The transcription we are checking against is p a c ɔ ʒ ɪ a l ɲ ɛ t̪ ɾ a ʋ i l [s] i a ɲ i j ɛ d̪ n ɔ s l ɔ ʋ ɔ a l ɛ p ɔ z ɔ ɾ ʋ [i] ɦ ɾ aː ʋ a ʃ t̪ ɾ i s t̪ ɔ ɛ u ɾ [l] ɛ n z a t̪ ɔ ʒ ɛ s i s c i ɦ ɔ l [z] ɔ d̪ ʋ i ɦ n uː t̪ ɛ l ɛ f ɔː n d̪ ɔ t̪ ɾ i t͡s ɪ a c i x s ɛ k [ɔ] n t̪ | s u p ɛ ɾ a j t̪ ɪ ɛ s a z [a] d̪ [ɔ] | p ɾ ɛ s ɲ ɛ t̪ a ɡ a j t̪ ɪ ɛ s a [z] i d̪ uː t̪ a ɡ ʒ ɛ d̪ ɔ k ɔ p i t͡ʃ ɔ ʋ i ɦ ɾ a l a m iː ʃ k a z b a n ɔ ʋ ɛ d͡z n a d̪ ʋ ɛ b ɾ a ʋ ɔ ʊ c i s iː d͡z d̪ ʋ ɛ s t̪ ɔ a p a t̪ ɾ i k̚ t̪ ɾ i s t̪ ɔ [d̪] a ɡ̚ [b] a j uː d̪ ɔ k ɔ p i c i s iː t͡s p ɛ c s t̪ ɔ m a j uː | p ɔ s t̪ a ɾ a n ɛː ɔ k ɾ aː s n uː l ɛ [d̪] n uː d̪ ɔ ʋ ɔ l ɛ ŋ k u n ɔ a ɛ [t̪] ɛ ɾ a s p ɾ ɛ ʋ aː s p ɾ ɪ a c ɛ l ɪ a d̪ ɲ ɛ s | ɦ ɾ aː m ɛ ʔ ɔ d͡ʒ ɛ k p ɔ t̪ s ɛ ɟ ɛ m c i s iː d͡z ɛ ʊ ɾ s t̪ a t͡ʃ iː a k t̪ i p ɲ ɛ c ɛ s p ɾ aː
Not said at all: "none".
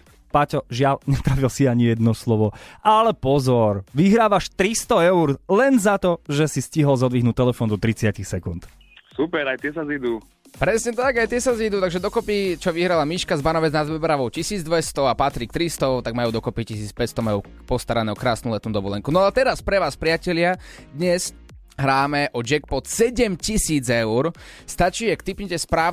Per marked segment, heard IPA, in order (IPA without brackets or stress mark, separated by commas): s, i, l, z, u, i, u, z, t̪, m, t̪, t̪